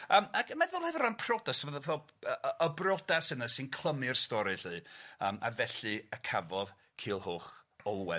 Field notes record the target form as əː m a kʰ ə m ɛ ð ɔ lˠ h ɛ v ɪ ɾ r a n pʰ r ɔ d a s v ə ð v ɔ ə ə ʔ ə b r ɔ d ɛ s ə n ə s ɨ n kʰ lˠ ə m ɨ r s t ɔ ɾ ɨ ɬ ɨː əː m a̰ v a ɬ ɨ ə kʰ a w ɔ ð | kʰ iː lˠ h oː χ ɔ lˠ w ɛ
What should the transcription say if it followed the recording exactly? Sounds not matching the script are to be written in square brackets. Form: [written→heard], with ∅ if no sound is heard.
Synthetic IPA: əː m a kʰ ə m ɛ ð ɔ lˠ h ɛ v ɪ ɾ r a n pʰ r ɔ d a s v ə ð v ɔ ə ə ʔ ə b r ɔ d [ɛ→a] s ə n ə s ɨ n kʰ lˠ ə m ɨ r s t ɔ ɾ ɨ ɬ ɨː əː m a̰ v [a→ɛ] ɬ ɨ ə kʰ a [w→v] ɔ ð | kʰ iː lˠ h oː χ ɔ lˠ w ɛ